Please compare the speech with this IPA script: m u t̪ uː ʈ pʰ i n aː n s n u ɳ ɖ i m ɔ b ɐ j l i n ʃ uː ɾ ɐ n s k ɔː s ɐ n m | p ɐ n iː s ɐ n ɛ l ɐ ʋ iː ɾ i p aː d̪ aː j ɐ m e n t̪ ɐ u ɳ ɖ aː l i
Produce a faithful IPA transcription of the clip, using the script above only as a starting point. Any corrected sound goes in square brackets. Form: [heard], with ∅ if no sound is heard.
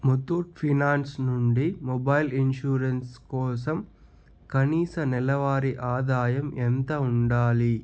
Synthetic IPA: m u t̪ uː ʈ pʰ i n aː n s n u ɳ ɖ i m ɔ b ɐ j l i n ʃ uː ɾ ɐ n s k ɔː s ɐ [∅] m | [k] ɐ n iː s ɐ n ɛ l ɐ ʋ [aː] ɾ i [ʔ] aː d̪ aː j ɐ m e n t̪ ɐ u ɳ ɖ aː l i

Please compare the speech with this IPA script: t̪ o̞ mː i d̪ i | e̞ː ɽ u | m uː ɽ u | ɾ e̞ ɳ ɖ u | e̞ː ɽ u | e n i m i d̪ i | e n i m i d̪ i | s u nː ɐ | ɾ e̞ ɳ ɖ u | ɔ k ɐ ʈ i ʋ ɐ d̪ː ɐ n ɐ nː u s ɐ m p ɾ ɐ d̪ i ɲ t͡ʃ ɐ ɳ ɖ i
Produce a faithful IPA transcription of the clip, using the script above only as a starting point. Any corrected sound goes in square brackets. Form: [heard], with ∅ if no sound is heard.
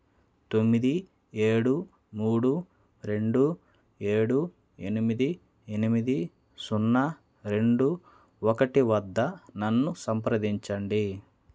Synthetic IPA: t̪ o̞ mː i d̪ i | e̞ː ɽ u | m uː ɽ u | ɾ e̞ ɳ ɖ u | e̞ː ɽ u | e n i m i d̪ i | e n i m i d̪ i | s u nː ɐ | ɾ e̞ ɳ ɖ u | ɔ k ɐ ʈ i ʋ ɐ d̪ː ɐ n ɐ nː u s ɐ m p ɾ ɐ d̪ i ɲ t͡ʃ ɐ ɳ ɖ i

